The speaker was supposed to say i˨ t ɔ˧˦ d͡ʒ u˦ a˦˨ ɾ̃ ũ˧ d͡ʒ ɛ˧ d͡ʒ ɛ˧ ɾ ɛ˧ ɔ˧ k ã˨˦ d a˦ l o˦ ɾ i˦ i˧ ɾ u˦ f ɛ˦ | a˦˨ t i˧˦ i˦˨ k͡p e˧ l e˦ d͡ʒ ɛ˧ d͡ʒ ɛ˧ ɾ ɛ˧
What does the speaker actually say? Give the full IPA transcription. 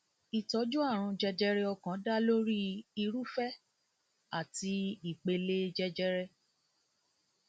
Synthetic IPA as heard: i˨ t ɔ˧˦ d͡ʒ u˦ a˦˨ ɾ̃ ũ˧ d͡ʒ ɛ˧ d͡ʒ ɛ˧ ɾ ɛ˧ ɔ˧ k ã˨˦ d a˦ l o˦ ɾ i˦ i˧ ɾ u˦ f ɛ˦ | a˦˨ t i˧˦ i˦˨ k͡p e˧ l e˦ d͡ʒ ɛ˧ d͡ʒ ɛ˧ ɾ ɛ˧